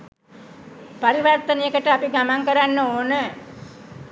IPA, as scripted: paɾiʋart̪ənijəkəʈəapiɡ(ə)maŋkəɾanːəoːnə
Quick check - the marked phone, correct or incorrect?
incorrect: a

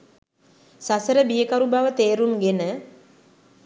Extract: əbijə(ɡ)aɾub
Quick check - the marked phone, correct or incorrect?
incorrect: k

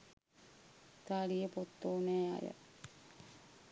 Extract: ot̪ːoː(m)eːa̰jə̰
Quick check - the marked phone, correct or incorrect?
incorrect: n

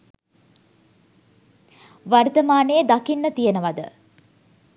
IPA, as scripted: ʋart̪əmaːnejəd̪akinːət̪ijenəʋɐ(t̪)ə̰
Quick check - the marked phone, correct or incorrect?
incorrect: d̪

